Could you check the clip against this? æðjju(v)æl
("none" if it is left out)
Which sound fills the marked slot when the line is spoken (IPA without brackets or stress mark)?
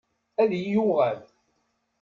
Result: ʁ